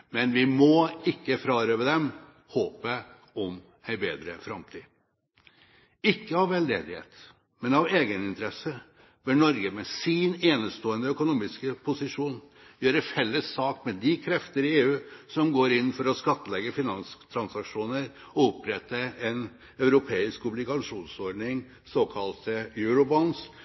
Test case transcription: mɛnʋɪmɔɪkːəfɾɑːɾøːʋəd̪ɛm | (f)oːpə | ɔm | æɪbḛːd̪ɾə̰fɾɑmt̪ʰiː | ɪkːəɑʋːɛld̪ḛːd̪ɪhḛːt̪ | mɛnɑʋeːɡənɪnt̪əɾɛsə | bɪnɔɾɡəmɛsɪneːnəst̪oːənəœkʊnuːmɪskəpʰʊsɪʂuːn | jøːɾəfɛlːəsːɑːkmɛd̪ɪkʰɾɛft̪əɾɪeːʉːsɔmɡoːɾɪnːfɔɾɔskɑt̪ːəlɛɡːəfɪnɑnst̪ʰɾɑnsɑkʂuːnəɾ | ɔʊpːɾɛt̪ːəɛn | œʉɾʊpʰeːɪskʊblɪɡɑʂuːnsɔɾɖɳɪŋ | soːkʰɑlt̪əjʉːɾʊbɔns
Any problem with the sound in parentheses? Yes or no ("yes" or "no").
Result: yes